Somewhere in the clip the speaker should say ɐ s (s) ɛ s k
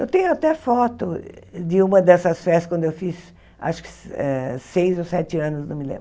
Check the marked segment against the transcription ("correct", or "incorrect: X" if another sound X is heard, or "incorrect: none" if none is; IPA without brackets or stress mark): incorrect: f